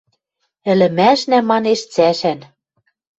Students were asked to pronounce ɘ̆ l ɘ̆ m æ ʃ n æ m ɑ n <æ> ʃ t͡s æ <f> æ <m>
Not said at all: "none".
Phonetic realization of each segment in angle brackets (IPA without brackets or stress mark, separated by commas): e, ʃ, n